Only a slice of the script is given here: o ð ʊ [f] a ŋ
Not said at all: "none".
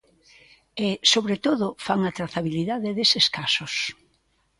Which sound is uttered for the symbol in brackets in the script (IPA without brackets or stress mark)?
f